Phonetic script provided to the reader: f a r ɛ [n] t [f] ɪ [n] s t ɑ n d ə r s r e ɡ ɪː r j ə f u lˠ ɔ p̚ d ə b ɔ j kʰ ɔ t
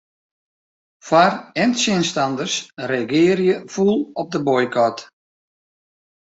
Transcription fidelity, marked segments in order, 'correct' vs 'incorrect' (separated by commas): correct, incorrect, correct